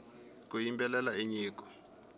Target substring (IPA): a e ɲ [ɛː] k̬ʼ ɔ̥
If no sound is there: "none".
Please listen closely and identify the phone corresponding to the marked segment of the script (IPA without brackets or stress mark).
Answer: iː